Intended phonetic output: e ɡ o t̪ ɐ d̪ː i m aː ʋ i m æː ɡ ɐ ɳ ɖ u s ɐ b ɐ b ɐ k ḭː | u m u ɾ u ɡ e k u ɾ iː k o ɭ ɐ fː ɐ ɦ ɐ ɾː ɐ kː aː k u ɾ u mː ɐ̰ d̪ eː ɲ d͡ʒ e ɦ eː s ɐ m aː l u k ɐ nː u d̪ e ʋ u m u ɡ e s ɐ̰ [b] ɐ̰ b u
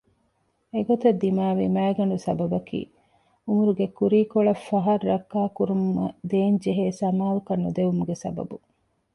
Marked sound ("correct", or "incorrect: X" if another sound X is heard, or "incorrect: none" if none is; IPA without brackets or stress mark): correct